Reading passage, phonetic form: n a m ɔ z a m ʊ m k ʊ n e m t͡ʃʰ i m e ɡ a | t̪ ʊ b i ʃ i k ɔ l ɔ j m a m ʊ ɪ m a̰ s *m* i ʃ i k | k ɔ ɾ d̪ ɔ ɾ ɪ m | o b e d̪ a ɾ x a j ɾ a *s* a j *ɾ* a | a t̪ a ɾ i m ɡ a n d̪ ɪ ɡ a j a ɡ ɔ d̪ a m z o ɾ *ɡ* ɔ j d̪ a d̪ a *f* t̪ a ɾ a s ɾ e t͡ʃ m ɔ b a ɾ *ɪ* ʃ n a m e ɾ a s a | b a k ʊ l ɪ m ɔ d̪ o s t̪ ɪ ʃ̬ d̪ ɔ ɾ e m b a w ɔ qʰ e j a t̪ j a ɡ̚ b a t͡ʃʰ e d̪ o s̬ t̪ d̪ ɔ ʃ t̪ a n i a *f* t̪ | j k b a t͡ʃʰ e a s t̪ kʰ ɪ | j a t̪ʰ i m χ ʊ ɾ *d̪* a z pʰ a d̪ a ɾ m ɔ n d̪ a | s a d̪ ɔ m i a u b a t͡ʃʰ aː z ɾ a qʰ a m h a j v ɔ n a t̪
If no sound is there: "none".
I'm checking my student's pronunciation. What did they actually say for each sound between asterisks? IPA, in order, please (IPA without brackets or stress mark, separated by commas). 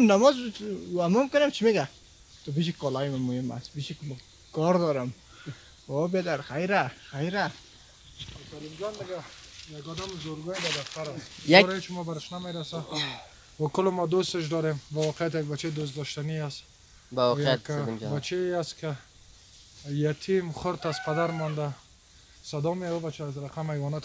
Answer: b, x, ɾ, ɡ, f, ɪ, s, t̪